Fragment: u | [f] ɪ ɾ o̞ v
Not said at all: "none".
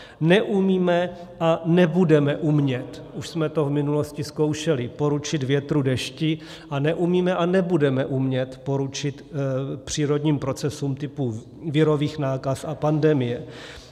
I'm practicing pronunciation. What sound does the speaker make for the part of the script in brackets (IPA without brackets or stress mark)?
v